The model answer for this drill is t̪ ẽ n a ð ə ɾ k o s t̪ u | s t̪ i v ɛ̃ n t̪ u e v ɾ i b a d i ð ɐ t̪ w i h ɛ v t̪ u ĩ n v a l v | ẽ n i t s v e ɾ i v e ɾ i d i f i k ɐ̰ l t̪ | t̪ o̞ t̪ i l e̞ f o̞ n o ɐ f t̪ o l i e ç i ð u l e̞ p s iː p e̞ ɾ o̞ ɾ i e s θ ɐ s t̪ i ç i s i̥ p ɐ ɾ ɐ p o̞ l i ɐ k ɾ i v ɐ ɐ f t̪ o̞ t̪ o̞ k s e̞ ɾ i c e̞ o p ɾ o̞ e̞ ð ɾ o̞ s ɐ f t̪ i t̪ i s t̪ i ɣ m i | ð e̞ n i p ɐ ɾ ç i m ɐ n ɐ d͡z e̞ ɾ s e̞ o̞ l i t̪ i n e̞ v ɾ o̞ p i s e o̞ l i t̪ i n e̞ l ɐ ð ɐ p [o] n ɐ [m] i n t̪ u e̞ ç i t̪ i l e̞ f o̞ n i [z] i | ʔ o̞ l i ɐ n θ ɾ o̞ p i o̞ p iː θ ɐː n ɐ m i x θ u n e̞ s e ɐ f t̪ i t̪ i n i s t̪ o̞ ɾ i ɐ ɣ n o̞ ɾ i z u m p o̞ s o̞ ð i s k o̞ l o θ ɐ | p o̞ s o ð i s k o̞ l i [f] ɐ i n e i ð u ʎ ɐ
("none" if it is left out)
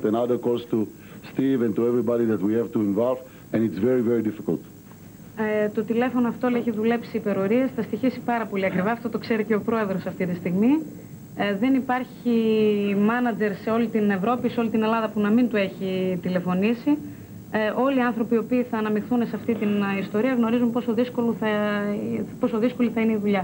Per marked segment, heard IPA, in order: u, m, s, θ

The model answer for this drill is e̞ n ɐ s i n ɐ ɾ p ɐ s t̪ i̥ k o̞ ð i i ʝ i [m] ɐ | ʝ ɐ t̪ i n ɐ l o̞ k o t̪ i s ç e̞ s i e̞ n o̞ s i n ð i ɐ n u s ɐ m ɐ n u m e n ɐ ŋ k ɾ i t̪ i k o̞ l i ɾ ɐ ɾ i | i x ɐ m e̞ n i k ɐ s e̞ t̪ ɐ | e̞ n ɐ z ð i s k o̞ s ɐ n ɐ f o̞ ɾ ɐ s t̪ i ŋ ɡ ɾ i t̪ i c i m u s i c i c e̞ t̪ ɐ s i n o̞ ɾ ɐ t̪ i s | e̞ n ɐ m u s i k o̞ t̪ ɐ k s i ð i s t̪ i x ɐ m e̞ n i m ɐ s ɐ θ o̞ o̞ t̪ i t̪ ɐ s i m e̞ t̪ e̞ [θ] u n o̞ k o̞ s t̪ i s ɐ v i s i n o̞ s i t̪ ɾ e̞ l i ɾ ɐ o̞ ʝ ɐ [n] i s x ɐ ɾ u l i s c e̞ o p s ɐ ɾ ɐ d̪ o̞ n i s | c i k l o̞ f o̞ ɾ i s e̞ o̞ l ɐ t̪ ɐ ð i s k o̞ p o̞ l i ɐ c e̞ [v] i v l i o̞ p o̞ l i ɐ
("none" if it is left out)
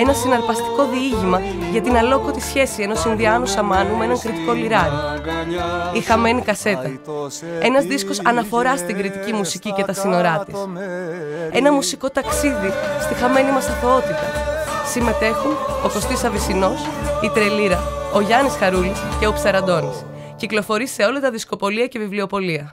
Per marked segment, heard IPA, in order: m, x, n, v

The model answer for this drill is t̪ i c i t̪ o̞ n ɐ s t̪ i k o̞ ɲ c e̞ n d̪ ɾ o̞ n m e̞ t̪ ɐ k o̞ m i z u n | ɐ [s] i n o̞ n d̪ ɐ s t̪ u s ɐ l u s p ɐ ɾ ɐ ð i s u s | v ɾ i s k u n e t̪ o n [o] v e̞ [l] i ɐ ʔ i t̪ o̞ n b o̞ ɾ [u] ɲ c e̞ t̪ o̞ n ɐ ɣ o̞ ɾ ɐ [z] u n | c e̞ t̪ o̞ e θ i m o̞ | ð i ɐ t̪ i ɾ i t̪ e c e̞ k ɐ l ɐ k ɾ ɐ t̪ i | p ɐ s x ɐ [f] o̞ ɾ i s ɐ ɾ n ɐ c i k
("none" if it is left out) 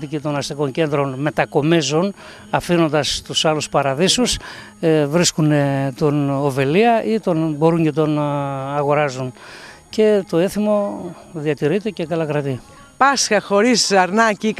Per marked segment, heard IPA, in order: f, o, l, u, z, x

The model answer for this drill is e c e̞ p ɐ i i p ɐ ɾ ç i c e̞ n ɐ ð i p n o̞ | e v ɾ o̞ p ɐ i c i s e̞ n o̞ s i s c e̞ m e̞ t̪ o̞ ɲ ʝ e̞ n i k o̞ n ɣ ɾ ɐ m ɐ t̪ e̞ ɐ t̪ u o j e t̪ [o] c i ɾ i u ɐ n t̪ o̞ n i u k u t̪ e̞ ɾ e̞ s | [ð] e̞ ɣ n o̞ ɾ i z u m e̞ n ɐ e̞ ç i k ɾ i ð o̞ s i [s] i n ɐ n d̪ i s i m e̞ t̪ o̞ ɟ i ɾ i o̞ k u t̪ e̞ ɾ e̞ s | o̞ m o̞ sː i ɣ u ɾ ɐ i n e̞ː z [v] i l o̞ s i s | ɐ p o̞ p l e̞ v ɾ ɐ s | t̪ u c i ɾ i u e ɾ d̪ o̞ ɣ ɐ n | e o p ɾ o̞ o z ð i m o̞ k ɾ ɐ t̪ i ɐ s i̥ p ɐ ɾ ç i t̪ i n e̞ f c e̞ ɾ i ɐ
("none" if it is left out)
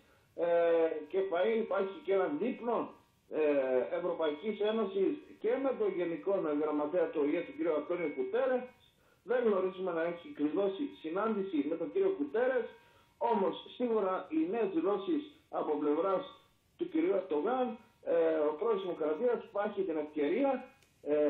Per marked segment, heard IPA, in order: u, ð, s, ð

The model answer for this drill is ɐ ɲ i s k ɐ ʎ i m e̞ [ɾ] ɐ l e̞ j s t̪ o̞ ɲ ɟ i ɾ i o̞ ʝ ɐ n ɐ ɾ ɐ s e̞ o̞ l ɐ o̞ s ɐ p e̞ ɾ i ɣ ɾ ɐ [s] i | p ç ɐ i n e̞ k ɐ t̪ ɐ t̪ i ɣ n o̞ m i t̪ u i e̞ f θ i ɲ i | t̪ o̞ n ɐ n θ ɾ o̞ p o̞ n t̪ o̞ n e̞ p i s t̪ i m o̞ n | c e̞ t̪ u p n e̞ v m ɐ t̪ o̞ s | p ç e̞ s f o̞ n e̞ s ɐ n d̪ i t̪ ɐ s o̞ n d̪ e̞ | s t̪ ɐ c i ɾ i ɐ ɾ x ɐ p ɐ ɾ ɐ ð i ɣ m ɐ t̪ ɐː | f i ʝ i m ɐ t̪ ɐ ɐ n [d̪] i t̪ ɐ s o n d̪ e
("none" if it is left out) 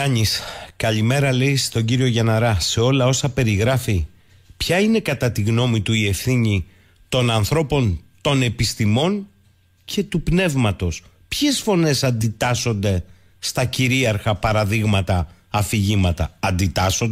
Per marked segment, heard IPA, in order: ɾ, f, d̪

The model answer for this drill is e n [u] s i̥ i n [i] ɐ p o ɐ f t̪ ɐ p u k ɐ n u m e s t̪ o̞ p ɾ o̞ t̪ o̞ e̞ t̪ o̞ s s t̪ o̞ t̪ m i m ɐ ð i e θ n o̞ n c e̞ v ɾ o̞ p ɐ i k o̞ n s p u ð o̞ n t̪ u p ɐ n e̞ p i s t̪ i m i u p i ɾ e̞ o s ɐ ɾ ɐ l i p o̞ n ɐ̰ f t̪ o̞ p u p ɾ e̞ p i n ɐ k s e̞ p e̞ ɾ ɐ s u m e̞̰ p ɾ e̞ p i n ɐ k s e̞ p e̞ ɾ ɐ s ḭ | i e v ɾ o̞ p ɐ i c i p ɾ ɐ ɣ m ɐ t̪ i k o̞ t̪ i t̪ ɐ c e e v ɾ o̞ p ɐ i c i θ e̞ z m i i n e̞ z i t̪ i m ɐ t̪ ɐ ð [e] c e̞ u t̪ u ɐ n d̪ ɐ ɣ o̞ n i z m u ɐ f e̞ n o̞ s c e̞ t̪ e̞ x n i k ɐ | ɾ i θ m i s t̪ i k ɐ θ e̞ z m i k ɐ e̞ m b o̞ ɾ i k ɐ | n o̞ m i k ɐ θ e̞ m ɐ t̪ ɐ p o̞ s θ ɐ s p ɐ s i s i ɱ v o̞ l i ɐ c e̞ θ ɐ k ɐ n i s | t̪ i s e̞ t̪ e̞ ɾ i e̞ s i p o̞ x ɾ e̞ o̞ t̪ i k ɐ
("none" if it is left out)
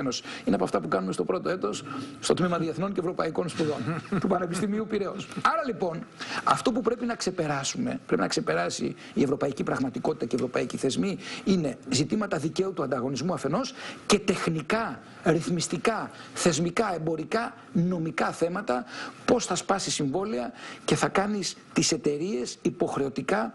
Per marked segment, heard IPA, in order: o, e, i

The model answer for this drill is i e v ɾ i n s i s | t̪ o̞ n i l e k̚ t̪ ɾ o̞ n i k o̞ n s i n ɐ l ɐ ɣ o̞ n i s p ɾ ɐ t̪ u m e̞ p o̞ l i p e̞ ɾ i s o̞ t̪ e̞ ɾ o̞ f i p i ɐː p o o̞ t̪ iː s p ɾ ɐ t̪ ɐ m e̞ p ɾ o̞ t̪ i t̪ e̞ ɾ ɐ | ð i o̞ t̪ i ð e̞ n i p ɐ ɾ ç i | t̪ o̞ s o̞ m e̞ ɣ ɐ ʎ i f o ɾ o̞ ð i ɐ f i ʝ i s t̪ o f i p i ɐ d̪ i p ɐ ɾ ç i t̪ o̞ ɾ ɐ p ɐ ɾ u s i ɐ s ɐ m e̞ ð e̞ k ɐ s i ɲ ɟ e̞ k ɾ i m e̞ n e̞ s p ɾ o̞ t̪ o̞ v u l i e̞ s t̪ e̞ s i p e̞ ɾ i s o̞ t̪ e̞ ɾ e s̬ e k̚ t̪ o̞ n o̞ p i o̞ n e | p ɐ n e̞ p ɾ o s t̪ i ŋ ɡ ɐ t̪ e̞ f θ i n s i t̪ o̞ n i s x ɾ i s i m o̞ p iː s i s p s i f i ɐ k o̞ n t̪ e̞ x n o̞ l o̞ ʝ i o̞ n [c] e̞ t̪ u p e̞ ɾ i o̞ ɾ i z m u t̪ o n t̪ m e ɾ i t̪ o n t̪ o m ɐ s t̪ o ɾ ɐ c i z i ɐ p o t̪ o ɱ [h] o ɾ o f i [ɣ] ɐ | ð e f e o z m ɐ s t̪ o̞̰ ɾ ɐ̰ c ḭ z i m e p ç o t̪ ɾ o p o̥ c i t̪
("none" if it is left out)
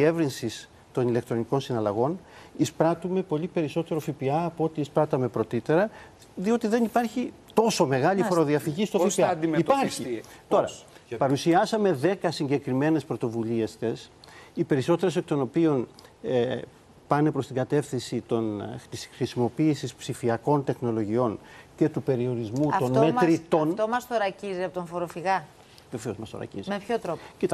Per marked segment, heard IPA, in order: c, f, ɣ

